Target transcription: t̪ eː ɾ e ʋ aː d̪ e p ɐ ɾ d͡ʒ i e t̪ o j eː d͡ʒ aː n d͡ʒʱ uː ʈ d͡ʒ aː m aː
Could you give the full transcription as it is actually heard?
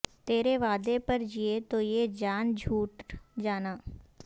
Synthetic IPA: t̪ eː ɾ e ʋ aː d̪ e p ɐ ɾ d͡ʒ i e t̪ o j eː d͡ʒ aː n d͡ʒʱ uː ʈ d͡ʒ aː n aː